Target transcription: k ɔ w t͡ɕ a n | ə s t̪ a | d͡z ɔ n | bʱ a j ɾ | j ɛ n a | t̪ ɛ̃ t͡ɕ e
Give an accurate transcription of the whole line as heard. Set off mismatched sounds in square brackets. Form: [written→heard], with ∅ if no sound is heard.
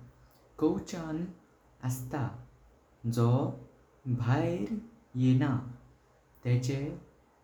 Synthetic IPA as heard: k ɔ w t͡ɕ a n | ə s t̪ a | d͡z ɔ [n→∅] | bʱ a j ɾ | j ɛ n a | t̪ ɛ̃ t͡ɕ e